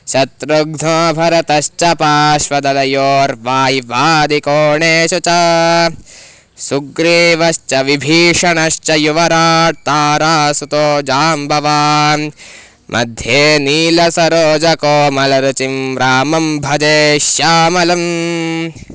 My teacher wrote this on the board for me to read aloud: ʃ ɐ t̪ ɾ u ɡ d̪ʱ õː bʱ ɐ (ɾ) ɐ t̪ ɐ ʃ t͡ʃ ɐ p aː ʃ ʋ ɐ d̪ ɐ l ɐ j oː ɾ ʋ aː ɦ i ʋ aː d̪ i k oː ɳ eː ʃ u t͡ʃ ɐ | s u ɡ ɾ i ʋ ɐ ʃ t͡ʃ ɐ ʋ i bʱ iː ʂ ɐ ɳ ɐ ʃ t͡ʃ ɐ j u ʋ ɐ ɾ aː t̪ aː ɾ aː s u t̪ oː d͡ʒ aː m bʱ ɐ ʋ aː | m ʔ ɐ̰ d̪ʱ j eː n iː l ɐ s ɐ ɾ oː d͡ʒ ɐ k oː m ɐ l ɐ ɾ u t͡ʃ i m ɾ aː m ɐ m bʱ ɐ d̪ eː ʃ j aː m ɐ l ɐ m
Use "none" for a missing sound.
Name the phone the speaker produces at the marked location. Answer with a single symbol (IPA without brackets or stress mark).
ɾ